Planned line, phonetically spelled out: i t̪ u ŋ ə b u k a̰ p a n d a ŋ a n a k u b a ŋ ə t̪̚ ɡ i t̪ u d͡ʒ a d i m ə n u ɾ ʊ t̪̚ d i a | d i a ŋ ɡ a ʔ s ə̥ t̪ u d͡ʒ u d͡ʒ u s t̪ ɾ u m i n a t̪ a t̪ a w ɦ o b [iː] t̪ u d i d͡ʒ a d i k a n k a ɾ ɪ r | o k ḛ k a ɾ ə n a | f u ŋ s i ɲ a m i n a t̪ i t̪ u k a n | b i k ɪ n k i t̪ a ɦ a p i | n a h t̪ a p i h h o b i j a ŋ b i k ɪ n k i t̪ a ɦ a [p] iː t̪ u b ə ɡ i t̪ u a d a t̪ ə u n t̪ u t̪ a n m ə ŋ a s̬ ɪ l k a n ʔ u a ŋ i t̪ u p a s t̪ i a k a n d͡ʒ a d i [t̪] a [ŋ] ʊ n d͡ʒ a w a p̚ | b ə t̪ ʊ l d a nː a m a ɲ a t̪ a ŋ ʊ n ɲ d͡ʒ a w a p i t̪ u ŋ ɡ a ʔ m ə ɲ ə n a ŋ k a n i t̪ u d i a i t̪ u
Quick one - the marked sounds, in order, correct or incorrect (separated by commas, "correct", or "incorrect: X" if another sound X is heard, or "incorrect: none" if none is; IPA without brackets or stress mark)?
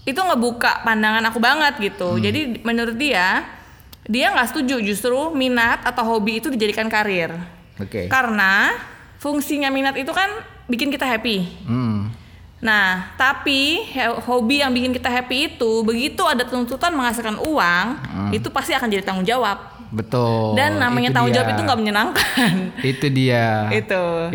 correct, correct, correct, correct